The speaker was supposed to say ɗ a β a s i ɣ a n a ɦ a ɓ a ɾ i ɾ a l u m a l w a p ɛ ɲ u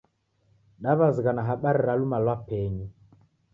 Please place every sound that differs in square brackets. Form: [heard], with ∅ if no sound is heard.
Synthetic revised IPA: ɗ a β a [z] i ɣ a n a ɦ a ɓ a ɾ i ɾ a l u m a l w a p ɛ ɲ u